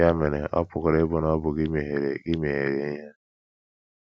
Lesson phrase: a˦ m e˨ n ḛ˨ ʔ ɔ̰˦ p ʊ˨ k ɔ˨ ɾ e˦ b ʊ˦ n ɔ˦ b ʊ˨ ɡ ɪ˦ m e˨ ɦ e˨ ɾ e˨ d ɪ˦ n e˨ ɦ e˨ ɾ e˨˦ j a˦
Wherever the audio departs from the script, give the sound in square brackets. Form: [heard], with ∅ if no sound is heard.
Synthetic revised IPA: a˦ m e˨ n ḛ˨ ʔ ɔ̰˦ p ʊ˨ k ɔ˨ ɾ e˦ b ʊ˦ n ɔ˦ b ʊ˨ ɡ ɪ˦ m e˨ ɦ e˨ ɾ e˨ [ɡ] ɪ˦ [m] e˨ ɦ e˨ ɾ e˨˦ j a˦